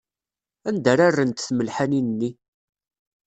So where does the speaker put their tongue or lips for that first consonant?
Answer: tongue tip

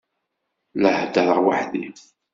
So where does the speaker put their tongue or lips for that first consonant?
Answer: tongue tip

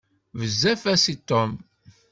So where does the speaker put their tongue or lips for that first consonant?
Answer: lips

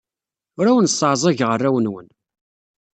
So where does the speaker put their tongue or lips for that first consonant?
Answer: tongue tip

